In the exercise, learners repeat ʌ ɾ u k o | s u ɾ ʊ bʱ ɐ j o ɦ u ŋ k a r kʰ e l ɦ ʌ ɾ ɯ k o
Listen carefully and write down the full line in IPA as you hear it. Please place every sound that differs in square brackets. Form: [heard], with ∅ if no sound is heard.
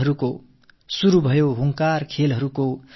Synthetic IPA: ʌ ɾ u k o | s u ɾ [u] bʱ [ʌ] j o ɦ u ŋ k a r kʰ e l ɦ ʌ ɾ [u] k o